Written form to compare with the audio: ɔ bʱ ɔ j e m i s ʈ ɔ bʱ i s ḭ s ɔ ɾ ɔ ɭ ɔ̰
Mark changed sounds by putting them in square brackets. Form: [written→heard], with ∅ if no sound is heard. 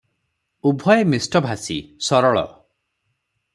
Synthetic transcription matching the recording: [ɔ→u] bʱ ɔ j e m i s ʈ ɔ bʱ [i→a] s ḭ s ɔ ɾ ɔ ɭ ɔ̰